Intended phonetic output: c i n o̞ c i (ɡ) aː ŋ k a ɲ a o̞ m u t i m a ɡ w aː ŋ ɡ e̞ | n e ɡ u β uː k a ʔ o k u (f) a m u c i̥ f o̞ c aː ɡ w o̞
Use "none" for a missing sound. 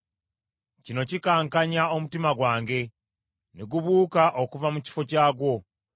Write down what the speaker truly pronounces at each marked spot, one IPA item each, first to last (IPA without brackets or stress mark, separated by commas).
k, v